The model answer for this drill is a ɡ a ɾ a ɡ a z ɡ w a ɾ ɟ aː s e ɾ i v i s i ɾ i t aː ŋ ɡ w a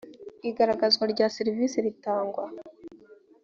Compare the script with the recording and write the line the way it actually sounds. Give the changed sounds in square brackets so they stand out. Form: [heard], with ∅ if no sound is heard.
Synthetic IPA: [i] ɡ a ɾ a ɡ a z ɡ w a ɾ ɟ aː s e ɾ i v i s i ɾ i t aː ŋ ɡ w a

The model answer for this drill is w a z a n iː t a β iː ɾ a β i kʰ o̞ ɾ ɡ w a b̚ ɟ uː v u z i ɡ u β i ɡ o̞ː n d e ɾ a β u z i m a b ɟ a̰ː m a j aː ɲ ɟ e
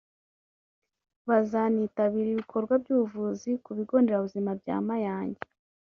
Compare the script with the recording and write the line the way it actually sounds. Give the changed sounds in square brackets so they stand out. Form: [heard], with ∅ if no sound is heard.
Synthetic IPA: [β] a z a n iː t a β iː ɾ [i] β i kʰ o̞ ɾ ɡ w a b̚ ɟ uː v u z i [k] u β i ɡ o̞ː n d e ɾ a β u z i m a b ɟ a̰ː m a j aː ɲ ɟ e

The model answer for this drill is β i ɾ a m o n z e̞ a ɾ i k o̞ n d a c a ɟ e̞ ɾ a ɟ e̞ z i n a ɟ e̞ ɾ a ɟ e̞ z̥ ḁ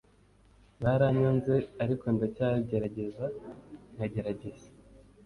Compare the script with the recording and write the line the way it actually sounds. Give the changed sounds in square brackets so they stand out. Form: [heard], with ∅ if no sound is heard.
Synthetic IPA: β [a] ɾ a [ɲ] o n z e̞ a ɾ i k o̞ n d a c a ɟ e̞ ɾ a ɟ e̞ z [a] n a ɟ e̞ ɾ a ɟ e̞ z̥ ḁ

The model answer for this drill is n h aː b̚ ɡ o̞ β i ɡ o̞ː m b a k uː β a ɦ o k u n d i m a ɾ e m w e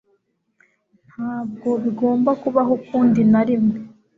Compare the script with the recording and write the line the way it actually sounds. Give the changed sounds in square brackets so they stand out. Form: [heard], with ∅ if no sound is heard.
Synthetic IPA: n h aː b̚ ɡ o̞ β i ɡ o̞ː m b a k [u] β a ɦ o k [uː] n d i [n] a ɾ [i] m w e

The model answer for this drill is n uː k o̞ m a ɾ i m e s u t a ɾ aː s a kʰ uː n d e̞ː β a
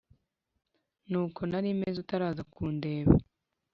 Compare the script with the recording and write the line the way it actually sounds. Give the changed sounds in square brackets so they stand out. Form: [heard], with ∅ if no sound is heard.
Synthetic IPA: n uː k o̞ [n] a ɾ i m e [z] u t a ɾ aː [z] a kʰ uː n d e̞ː β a

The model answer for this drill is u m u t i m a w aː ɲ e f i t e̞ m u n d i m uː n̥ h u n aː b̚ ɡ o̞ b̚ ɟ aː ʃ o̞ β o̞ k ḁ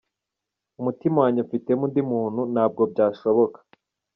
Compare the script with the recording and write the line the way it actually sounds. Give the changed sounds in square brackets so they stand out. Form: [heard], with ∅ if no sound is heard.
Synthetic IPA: u m u t i m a w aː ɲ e f i t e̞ m u n d i m uː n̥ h u n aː b̚ ɡ o̞ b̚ ɟ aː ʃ o̞ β o̞ k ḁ

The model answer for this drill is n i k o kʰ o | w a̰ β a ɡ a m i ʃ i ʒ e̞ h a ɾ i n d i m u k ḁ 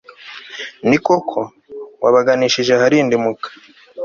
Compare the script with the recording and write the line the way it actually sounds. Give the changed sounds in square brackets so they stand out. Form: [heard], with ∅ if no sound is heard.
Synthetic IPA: n i k o kʰ o | w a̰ β a ɡ a [n] i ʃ i ʒ e̞ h a ɾ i n d i m u k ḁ

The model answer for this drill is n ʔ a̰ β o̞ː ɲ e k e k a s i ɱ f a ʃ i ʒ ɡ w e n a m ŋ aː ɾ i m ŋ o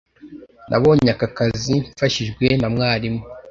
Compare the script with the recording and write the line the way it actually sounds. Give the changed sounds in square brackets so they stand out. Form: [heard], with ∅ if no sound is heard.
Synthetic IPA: n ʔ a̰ β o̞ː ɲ [a] k [a] k a [z] i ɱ f a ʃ i ʒ ɡ w e n a m ŋ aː ɾ i m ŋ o

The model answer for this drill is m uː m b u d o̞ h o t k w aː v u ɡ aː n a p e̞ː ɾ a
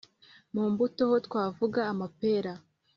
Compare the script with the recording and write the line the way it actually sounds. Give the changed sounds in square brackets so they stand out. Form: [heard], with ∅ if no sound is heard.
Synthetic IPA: m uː m b u [t] o̞ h o t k w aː v u ɡ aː [m] a p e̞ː ɾ a

